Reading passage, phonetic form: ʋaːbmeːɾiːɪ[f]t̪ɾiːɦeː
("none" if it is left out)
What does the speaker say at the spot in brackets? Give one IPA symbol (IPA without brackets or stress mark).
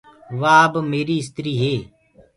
s